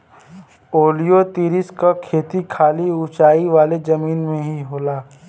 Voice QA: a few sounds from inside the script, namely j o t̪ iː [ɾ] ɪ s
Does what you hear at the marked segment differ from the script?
no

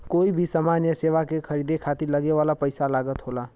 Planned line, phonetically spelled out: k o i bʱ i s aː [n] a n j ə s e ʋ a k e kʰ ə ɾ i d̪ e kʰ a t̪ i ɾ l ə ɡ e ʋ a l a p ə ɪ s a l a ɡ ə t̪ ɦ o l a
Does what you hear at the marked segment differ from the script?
yes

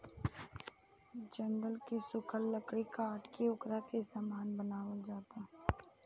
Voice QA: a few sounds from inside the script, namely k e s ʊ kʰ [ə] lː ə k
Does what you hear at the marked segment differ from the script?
no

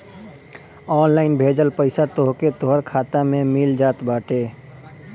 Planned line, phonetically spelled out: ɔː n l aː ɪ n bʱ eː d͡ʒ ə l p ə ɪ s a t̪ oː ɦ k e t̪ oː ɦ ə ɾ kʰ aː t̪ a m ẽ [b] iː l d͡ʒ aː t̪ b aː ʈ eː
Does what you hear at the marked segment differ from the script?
yes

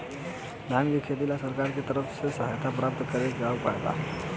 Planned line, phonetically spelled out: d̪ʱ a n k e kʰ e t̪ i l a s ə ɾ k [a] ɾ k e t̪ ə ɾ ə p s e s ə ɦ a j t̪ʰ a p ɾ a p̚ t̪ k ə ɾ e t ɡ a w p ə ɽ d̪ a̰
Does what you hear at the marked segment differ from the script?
no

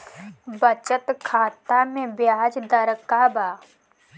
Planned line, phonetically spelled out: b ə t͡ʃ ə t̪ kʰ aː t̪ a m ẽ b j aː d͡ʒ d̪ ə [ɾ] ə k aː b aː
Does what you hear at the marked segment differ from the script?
no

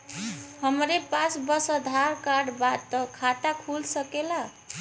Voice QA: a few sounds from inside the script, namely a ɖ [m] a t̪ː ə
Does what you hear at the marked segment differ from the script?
yes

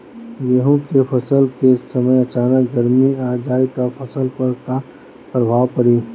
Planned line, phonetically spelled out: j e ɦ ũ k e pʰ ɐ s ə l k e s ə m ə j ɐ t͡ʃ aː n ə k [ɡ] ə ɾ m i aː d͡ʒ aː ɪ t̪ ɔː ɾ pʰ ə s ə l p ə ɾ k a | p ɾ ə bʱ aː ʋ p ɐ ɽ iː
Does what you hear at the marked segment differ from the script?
no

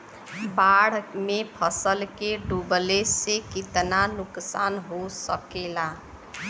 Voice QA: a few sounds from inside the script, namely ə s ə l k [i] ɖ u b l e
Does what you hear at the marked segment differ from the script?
yes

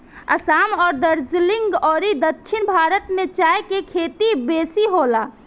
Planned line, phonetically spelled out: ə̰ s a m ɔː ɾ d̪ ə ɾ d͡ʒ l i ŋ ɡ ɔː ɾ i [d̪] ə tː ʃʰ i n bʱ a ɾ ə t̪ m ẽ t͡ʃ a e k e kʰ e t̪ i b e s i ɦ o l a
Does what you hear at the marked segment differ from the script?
no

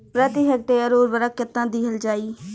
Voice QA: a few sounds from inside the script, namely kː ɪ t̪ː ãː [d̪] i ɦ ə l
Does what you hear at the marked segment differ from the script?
no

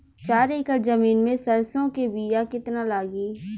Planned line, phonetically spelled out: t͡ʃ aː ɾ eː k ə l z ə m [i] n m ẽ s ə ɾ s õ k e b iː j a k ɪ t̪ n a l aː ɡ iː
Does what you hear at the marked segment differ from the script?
yes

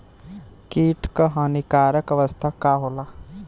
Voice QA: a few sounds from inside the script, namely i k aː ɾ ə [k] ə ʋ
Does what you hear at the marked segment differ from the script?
no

